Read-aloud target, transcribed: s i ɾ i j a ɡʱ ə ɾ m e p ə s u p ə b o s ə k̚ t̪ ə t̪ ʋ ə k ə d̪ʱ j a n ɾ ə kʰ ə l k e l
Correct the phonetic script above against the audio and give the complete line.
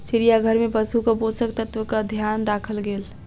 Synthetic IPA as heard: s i ɾ i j a ɡʱ ə ɾ m e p ə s u k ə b o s ə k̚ t̪ ə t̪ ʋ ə k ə d̪ʱ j a n ɾ a kʰ ə l ɡ e l